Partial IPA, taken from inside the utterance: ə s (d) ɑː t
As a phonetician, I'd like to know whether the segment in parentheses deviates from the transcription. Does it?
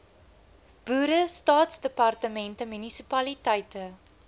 yes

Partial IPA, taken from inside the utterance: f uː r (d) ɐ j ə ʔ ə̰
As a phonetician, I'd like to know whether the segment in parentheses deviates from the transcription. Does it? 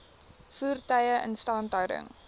yes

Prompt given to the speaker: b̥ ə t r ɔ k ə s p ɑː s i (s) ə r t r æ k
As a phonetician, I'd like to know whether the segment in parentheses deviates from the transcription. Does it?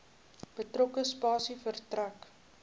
yes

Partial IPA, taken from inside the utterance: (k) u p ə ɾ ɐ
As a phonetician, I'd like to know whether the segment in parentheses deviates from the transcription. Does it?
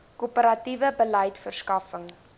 no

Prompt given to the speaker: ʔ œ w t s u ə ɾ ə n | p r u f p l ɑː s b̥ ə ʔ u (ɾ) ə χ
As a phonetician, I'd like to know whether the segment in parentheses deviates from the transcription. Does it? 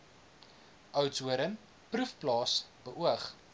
yes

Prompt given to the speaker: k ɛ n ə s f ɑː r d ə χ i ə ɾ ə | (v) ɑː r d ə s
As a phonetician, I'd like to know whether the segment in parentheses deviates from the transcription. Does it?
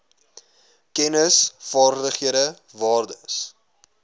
no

